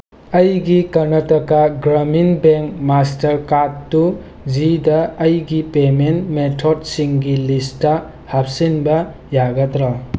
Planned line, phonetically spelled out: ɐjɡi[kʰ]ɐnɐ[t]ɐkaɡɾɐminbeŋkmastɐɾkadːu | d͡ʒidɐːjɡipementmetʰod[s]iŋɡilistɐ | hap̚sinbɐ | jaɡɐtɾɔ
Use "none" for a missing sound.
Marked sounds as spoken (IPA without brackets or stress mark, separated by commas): k, t, s